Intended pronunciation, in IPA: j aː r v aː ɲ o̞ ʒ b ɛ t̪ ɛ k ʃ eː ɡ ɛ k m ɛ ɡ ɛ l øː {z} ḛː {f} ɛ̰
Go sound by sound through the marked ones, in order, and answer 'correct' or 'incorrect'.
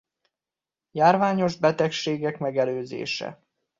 correct, incorrect: ʃ

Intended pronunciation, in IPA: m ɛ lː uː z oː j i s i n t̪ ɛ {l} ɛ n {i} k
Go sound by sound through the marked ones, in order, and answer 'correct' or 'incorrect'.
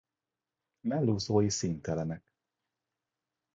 correct, incorrect: ɛ

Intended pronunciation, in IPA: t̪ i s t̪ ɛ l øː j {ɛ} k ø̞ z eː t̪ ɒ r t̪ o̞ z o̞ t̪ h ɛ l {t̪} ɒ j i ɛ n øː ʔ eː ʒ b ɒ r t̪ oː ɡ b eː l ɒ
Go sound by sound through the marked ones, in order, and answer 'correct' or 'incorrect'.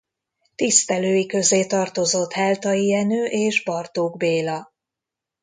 incorrect: i, correct

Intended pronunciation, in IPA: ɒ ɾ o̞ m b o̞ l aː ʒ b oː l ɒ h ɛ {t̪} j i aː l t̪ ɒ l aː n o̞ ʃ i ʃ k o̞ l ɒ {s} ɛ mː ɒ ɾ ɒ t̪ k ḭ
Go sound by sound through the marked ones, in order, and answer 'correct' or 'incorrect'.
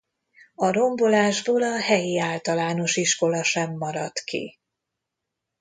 incorrect: none, incorrect: ʃ

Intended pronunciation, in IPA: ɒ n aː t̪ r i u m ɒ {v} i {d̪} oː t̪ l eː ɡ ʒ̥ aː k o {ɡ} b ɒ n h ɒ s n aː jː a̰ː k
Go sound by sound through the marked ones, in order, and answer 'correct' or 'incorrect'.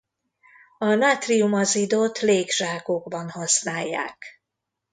incorrect: z, correct, correct

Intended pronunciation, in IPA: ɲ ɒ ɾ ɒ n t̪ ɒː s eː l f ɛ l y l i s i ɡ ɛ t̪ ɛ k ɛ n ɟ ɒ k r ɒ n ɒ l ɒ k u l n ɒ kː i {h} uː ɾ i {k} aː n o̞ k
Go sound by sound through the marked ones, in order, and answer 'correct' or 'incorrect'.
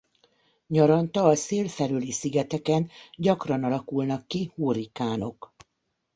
correct, correct

